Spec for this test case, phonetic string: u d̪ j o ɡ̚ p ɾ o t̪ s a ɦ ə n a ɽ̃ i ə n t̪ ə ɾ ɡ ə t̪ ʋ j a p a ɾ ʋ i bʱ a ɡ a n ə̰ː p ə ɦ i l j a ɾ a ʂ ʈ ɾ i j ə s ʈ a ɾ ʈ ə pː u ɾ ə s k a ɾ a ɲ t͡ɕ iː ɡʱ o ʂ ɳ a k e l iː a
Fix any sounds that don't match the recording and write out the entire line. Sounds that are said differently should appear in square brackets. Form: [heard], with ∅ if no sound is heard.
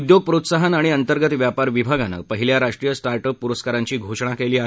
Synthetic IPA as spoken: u d̪ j o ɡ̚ p ɾ o t̪ s a ɦ ə n a ɽ̃ i ə n t̪ ə ɾ ɡ ə t̪ ʋ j a p a ɾ ʋ i bʱ a ɡ a n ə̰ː p ə ɦ i l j a ɾ a ʂ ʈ ɾ i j ə s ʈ a ɾ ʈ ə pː u ɾ ə s k a ɾ a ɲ t͡ɕ iː ɡʱ o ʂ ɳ a k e l iː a